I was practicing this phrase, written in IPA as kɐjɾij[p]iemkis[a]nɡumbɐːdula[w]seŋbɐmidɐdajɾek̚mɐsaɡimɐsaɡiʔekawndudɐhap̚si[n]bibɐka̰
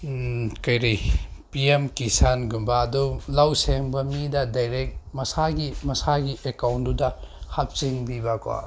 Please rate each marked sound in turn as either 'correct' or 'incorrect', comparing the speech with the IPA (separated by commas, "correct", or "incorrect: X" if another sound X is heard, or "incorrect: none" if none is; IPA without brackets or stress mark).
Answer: correct, correct, correct, incorrect: ŋ